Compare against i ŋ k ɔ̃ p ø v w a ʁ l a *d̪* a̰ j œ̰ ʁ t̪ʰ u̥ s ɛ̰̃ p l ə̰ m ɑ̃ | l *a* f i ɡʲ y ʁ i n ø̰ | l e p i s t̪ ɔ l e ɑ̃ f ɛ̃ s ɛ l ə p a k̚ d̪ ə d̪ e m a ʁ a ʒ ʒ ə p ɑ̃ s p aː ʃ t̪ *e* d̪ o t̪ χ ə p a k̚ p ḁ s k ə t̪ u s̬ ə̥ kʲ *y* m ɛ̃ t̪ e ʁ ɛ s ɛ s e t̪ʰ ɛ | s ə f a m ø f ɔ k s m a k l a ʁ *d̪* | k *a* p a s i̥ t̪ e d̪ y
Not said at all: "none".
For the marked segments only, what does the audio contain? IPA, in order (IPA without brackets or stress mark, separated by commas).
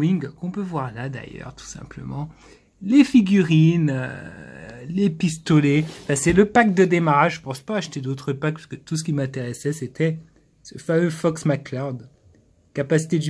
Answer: d̪, e, e, i, d̪, a